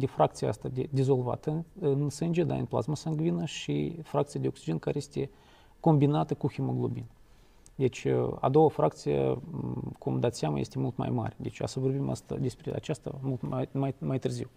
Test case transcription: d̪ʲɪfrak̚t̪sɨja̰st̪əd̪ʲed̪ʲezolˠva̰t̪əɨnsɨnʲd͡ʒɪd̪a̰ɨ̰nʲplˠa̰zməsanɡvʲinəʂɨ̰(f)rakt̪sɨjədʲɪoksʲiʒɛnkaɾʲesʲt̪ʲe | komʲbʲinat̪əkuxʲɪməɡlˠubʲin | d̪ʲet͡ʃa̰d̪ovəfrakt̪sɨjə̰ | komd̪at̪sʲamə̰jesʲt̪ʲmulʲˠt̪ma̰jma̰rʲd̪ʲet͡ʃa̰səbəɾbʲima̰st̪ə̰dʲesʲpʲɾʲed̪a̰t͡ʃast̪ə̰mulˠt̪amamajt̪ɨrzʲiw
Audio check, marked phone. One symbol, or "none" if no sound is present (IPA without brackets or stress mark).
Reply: f